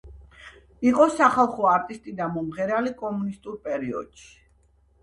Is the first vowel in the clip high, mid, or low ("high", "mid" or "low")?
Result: high